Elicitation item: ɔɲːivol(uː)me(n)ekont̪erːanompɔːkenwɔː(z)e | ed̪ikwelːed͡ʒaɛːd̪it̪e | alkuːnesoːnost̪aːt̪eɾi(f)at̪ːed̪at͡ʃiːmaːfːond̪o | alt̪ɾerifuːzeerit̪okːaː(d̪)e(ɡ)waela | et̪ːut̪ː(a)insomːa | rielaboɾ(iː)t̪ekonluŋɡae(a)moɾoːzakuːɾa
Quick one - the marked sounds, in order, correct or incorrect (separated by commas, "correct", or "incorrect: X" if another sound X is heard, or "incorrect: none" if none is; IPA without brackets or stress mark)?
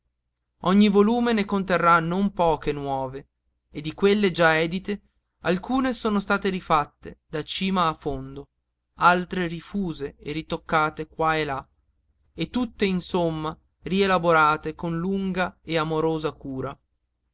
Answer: correct, correct, incorrect: v, correct, incorrect: t̪, incorrect: k, incorrect: e, incorrect: aː, correct